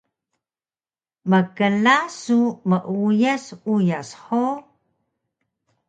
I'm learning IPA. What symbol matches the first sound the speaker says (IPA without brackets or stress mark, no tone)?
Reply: m